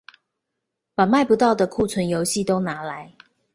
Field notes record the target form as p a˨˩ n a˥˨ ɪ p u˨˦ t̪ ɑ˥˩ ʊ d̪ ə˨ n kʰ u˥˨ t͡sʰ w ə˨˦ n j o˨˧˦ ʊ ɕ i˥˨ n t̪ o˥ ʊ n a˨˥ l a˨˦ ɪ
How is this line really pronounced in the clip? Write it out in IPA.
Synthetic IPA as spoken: p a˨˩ m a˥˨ ɪ p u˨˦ t̪ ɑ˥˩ ʊ d̪ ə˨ kʰ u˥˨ t͡sʰ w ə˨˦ n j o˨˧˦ ʊ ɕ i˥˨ t̪ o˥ ʊ n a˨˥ l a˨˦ ɪ

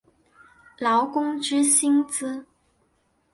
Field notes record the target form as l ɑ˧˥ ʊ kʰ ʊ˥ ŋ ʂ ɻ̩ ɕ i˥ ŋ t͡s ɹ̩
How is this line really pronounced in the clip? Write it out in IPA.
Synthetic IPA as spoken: l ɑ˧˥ ʊ k ʊ˥ ŋ ʈ͡ʂ ɻ̩ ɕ i˥ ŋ t͡s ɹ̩

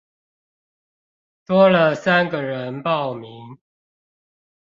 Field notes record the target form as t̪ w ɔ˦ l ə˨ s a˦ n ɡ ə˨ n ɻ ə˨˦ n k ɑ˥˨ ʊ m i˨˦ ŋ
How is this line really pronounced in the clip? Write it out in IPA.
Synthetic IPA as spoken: t̪ w ɔ˦ l ə˨ s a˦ n ɡ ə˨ ɻ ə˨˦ n p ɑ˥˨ ʊ m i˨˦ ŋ

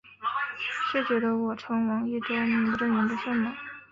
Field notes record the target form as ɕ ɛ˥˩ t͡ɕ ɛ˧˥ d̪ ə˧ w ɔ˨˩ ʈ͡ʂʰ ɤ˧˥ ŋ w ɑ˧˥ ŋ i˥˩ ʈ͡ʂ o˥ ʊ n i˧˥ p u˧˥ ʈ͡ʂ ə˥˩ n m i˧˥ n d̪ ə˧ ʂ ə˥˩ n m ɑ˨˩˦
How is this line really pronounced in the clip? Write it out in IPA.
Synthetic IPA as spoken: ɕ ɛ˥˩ t͡ɕ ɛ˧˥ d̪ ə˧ w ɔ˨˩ ʈ͡ʂʰ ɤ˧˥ ŋ w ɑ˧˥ ŋ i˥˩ ʈ͡ʂ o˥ ʊ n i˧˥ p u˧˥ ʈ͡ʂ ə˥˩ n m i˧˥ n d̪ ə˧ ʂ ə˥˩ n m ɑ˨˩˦

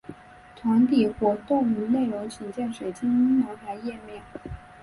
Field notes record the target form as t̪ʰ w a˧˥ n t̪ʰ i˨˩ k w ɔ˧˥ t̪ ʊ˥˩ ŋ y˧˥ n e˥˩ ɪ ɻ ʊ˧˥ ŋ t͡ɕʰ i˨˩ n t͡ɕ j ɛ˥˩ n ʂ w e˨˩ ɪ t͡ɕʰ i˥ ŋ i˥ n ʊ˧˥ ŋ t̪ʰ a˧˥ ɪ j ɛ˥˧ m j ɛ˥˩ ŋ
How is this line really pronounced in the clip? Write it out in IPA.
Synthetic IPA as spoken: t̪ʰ w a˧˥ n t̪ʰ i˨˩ x w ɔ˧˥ t̪ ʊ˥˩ ŋ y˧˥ n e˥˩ ɪ ɻ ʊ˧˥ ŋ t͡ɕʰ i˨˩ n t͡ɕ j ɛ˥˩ n ʂ w e˨˩ ɪ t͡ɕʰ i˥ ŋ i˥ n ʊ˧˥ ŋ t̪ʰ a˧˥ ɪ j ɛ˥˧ m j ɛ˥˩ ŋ

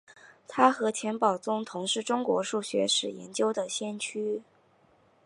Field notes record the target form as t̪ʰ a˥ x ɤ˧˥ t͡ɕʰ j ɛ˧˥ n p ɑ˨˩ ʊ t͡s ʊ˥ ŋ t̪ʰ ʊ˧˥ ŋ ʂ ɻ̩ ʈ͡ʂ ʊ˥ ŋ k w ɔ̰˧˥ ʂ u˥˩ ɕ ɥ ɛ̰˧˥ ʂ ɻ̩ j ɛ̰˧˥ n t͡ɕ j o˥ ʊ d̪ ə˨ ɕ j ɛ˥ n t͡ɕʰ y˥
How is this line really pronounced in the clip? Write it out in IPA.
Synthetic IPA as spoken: t̪ʰ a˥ x ɤ˧˥ t͡ɕʰ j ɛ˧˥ n p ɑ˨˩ ʊ t͡s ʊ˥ ŋ t̪ʰ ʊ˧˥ ŋ ʂ ɻ̩ ʈ͡ʂ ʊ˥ ŋ k w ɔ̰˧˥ ʂ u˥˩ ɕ ɥ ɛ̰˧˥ ʂ ɻ̩ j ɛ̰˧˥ n t͡ɕ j o˥ ʊ d̪ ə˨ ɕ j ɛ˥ n t͡ɕʰ y˥

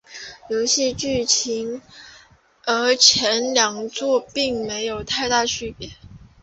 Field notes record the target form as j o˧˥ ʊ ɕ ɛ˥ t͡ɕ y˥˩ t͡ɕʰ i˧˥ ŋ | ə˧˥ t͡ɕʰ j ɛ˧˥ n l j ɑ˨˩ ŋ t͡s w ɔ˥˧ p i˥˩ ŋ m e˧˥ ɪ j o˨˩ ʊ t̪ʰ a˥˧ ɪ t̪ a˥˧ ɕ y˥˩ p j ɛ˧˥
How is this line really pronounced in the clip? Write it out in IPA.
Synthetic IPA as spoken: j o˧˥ ʊ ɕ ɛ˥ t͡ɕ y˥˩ t͡ɕʰ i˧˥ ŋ | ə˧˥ t͡ɕʰ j ɛ˧˥ n l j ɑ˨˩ ŋ t͡s w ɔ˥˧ p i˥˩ ŋ m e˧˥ ɪ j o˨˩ ʊ t̪ʰ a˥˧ ɪ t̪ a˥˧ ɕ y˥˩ p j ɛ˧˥

